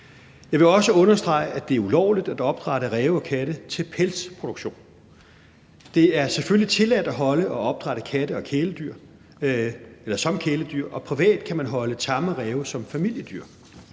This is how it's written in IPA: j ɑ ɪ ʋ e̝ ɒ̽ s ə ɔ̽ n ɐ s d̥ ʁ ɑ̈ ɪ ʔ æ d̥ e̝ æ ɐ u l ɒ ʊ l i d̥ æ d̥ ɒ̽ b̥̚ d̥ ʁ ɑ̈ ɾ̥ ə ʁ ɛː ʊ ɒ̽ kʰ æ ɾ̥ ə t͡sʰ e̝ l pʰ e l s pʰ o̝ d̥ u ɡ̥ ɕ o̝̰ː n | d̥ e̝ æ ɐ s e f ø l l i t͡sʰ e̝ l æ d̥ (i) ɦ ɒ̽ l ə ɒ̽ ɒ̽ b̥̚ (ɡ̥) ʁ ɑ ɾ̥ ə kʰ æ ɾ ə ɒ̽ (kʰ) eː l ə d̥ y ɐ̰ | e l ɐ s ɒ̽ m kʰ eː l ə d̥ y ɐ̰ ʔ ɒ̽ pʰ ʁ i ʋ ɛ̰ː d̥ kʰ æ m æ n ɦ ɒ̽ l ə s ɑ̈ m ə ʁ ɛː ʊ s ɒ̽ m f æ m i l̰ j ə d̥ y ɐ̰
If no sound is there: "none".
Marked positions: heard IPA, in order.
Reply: æ, d̥, kʰ

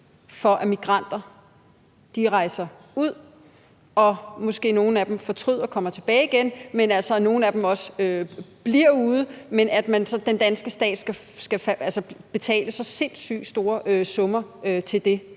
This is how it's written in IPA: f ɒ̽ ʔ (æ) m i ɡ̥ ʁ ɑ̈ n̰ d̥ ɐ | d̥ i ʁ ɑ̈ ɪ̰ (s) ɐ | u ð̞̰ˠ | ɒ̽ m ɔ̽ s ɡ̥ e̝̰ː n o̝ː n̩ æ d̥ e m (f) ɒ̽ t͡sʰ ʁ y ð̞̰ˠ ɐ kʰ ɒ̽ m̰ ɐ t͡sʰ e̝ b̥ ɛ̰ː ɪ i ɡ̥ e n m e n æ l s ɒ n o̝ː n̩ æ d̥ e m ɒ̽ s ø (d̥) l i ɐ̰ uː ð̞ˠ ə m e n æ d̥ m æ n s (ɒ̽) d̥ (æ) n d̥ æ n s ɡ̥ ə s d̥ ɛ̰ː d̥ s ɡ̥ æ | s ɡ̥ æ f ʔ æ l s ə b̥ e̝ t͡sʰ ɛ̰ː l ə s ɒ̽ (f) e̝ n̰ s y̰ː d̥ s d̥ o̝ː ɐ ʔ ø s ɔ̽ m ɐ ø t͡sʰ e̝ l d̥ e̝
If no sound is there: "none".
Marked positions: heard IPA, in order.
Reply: æ, s, f, b̥, ɒ̽, e, s

